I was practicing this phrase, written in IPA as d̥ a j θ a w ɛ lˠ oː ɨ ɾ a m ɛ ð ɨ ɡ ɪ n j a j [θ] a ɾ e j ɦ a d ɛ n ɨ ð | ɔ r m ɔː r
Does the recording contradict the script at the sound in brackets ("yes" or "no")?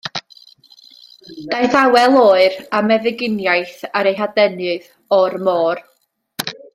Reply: no